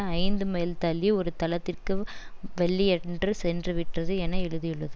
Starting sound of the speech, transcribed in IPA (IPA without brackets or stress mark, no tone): ɐ